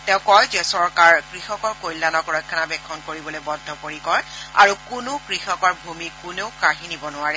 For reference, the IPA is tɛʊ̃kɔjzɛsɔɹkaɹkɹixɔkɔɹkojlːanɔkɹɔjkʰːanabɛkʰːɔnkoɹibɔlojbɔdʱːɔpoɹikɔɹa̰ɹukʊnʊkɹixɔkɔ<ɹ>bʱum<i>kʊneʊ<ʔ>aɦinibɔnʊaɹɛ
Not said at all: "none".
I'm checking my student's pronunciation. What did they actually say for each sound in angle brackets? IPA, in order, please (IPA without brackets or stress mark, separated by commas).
ɹ, i, k